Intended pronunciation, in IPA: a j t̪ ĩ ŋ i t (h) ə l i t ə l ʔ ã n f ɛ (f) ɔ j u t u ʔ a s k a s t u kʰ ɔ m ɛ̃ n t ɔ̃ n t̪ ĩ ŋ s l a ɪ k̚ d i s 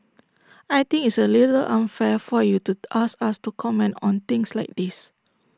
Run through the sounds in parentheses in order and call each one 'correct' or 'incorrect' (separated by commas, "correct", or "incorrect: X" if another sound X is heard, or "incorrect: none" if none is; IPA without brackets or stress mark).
incorrect: s, correct